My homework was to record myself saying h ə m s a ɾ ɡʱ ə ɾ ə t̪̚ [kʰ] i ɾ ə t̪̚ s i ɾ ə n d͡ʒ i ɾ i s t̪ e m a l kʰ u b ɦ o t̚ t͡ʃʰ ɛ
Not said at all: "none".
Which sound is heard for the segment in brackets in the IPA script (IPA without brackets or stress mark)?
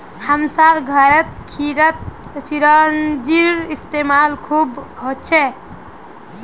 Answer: kʰ